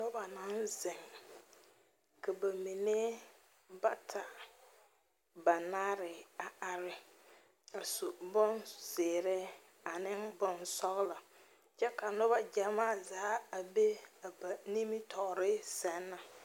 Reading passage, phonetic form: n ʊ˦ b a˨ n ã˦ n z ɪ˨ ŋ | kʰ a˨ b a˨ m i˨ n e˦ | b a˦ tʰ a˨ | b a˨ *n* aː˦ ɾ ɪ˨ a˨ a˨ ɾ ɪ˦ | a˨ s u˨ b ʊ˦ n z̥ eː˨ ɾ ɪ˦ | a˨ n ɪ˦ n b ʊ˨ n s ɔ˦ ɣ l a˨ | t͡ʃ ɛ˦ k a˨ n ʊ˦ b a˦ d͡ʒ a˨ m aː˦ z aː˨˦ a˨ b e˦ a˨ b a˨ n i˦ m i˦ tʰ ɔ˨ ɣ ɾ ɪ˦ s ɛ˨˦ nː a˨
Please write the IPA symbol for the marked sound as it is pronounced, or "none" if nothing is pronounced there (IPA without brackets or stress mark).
n